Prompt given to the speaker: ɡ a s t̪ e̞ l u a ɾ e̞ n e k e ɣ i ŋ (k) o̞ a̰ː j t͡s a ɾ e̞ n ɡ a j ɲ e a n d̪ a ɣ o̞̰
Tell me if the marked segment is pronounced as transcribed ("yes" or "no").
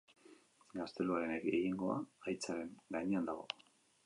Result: no